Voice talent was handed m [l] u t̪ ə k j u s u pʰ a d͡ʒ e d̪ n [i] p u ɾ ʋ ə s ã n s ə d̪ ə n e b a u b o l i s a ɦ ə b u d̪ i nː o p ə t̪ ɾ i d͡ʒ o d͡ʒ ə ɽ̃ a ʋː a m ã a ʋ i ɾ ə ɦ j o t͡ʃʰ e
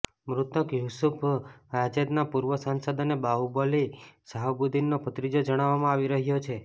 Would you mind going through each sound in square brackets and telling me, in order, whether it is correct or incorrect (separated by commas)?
incorrect, incorrect